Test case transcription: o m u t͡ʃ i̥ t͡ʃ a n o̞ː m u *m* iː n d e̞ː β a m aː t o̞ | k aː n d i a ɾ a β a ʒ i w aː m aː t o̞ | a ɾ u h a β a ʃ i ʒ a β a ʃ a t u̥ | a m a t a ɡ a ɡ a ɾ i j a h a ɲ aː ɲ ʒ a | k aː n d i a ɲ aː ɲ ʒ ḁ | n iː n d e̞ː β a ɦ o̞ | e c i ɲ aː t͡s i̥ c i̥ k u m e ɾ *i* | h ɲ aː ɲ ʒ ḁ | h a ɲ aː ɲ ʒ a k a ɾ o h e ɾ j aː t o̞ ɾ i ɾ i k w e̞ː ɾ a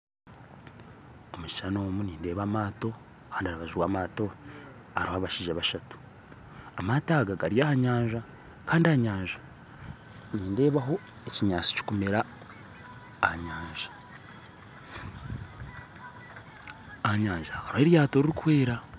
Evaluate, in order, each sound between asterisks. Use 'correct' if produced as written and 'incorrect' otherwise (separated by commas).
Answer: incorrect, incorrect